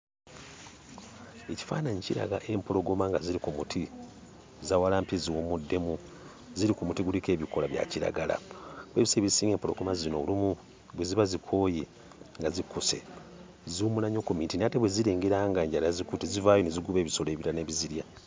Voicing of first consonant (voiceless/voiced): voiceless